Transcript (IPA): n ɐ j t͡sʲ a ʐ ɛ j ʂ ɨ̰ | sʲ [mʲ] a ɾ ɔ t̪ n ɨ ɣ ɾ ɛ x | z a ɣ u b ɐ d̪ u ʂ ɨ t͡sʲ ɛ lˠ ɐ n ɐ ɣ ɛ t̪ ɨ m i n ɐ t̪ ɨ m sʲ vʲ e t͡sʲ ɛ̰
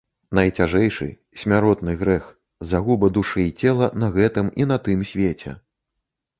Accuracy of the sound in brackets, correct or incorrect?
correct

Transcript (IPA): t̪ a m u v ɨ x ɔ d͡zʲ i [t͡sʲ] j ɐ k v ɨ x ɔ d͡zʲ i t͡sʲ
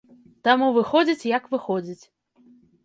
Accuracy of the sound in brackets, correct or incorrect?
correct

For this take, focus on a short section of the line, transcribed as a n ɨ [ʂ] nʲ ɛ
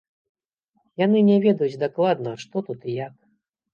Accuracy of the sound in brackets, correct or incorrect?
incorrect: none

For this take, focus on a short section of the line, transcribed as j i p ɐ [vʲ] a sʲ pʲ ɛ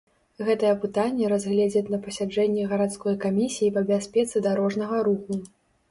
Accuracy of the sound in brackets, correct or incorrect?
incorrect: bʲ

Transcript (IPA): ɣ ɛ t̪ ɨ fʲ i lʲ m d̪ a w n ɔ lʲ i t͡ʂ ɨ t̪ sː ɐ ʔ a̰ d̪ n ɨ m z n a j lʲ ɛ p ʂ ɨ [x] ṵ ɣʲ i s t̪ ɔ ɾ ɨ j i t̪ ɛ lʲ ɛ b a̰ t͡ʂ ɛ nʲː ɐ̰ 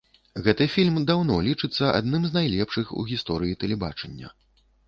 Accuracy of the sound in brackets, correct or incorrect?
correct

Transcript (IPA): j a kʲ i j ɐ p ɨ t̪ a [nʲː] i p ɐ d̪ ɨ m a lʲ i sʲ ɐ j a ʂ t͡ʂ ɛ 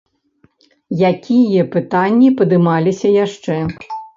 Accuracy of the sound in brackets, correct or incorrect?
correct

